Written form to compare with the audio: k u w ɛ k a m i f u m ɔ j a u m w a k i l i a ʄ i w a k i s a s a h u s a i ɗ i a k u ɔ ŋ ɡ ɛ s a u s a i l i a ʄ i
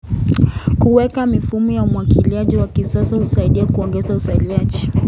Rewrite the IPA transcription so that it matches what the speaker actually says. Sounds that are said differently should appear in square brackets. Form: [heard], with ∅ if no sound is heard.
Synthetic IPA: k u w ɛ k a m i f u m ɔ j a u m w a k i l i a ʄ i w a k i s a s a h u s a i ɗ i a k u ɔ ŋ ɡ ɛ [z] a u s a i l i a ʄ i